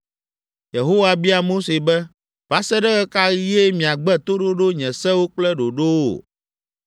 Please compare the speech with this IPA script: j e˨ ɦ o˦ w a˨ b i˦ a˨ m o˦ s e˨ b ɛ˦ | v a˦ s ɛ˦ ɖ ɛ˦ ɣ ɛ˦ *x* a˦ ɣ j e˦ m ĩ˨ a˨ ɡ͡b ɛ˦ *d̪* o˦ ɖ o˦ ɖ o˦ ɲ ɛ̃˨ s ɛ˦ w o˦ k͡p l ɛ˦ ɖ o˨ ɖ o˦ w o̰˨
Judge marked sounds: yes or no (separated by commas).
no, no